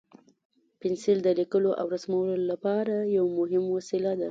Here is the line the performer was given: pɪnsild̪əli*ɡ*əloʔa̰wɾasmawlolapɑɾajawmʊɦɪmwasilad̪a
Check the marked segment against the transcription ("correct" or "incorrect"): incorrect